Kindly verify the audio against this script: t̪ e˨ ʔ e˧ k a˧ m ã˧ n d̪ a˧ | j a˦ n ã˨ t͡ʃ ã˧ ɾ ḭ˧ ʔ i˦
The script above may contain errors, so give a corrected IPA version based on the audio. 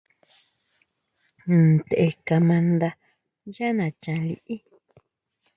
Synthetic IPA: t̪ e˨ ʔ e˧ k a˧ m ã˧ n d̪ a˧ | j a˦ n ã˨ t͡ʃ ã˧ l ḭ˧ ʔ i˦